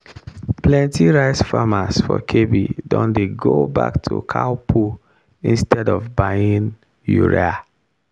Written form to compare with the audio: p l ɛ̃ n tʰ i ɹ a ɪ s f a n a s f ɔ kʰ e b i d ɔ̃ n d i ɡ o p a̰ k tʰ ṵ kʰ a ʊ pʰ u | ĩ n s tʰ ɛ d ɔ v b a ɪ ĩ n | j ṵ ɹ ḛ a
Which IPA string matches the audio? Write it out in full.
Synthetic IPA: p l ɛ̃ n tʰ i ɹ a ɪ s f a m a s f ɔ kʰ e b i d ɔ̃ n d e ɡ o b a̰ k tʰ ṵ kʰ a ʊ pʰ u | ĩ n s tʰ ɛ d ɔ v b a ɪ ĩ n | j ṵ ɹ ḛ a